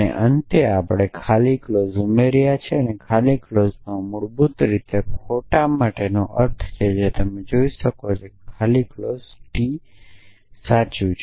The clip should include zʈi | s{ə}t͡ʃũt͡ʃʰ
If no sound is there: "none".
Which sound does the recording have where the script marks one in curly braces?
a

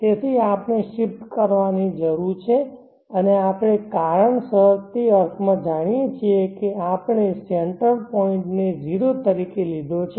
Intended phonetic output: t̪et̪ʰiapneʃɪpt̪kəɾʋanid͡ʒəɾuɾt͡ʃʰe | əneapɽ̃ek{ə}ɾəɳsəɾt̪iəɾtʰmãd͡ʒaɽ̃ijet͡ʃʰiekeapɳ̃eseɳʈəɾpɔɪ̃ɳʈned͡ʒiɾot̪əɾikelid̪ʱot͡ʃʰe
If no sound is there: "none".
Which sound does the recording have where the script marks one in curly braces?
a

